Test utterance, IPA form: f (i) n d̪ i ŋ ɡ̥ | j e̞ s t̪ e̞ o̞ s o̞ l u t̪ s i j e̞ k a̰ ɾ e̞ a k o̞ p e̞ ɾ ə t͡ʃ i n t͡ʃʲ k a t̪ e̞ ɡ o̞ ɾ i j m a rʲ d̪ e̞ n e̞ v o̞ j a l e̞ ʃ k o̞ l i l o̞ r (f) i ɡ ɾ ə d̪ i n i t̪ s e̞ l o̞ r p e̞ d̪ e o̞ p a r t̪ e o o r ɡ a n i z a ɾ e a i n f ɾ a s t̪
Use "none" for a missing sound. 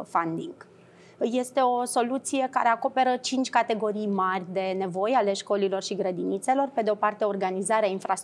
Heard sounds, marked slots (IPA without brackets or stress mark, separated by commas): a, ʃ